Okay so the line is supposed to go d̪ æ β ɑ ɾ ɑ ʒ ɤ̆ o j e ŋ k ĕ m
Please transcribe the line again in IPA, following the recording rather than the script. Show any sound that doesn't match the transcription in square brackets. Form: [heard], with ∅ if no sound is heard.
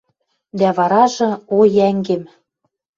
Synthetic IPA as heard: d̪ æ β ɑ ɾ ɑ ʒ ɤ̆ o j [æ] ŋ [ɡ] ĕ m